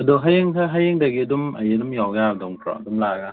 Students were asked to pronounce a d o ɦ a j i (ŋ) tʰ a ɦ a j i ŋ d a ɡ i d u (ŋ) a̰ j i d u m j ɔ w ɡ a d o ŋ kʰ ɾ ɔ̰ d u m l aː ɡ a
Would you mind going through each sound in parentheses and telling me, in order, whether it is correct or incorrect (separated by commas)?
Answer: correct, incorrect